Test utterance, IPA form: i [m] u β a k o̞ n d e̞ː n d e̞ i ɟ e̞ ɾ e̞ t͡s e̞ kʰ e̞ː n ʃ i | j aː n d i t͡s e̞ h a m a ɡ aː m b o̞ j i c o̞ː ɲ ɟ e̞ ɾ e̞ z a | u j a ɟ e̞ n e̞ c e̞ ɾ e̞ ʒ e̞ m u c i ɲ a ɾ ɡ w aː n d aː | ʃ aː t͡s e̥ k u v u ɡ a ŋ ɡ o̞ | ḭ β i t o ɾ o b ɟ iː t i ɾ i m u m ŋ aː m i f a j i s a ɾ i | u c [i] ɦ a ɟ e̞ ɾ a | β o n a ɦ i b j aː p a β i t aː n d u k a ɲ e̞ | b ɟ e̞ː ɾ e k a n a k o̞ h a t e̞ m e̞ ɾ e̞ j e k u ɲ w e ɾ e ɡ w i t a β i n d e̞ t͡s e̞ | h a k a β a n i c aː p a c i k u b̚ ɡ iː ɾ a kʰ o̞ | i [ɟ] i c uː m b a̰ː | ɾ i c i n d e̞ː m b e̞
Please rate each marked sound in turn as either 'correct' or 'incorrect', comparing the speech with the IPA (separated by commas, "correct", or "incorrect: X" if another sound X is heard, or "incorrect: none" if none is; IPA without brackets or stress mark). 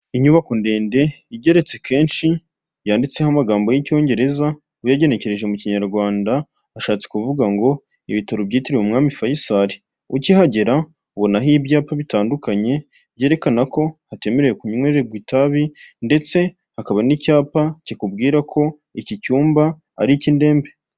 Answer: incorrect: ɲ, correct, incorrect: c